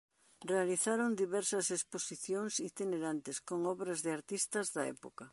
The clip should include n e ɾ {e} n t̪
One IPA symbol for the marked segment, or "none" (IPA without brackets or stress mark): a